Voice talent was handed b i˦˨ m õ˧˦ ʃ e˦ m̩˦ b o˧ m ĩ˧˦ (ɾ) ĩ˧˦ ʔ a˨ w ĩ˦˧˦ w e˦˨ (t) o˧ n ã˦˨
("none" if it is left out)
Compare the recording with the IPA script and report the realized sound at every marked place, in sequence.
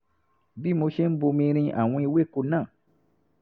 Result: ɾ, k

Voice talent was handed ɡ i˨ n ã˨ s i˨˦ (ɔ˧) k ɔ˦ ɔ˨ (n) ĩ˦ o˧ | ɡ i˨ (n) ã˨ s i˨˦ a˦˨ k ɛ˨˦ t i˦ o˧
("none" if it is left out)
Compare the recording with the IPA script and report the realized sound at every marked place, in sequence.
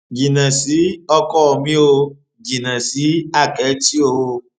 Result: ɔ˧, m, n

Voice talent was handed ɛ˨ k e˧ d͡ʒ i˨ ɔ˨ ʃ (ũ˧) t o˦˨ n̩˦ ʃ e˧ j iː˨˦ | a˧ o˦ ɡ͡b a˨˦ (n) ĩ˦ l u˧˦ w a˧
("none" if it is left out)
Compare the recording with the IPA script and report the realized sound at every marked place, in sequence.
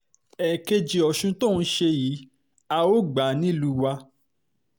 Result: ũ˧, n

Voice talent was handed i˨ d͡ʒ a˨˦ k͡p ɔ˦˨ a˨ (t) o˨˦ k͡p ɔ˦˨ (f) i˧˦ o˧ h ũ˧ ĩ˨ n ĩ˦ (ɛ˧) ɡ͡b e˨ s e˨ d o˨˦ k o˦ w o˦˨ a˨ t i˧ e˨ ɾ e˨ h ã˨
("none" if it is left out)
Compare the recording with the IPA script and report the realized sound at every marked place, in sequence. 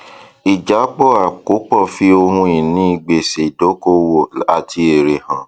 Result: k, f, i˧

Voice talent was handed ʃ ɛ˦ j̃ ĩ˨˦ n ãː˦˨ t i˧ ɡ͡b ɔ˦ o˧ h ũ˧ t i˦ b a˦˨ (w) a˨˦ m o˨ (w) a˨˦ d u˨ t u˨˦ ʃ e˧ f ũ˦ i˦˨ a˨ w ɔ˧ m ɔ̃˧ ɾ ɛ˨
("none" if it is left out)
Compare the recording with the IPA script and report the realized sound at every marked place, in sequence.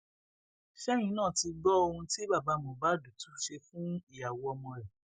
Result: b, b

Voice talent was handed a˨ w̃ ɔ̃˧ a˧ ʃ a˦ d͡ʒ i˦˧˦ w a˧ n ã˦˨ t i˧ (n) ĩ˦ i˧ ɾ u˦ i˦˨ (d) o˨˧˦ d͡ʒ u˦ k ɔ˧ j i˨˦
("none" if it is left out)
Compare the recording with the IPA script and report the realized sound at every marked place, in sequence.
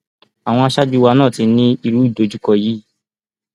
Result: n, d

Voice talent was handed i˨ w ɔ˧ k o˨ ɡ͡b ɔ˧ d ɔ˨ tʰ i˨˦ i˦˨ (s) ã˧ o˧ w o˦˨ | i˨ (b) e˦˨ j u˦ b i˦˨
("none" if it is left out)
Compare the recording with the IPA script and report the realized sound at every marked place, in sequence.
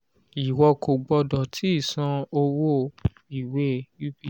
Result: s, w

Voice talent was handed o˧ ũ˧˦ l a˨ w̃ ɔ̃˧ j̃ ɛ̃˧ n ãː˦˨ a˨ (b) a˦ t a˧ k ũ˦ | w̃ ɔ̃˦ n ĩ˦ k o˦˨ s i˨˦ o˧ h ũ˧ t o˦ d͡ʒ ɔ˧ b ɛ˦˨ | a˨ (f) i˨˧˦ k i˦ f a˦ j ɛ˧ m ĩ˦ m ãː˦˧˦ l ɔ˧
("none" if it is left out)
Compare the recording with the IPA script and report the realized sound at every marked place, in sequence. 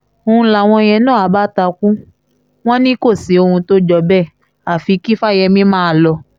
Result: b, f

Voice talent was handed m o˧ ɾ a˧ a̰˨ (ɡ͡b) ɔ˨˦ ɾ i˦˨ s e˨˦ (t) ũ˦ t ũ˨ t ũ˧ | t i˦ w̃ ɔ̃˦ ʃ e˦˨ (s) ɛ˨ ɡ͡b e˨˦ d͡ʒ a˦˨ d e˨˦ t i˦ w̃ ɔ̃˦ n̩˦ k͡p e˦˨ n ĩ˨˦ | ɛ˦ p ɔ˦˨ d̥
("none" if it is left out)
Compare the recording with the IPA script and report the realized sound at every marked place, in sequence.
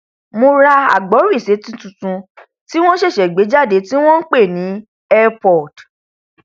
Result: ɡ͡b, t, ʃ

